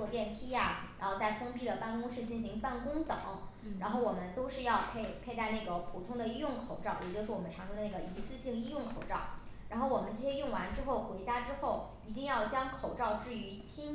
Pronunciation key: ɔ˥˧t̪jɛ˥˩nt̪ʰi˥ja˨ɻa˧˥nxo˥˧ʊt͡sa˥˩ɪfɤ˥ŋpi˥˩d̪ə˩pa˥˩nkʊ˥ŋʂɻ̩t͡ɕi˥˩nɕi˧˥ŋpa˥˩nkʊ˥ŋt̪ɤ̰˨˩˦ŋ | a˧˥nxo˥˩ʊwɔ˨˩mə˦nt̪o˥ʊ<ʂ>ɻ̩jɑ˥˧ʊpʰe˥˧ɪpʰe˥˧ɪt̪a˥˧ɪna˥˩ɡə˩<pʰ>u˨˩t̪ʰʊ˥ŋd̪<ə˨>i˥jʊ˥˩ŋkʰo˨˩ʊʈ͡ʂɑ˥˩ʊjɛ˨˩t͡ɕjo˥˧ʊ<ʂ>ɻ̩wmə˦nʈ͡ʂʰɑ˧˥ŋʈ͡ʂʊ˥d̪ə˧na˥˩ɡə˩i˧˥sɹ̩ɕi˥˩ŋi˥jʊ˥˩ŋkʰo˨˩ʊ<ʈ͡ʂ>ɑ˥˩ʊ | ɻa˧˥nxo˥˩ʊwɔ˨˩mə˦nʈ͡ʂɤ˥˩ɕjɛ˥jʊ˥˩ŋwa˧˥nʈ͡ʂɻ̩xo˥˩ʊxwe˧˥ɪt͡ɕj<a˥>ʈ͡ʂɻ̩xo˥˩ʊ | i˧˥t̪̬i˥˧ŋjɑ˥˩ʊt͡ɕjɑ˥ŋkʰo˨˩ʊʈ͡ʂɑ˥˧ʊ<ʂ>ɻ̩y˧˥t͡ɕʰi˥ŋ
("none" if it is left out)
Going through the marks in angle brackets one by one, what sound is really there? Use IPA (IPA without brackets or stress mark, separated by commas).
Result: ʂ, pʰ, ə˨, ʂ, ʈ͡ʂ, a˥, ʈ͡ʂ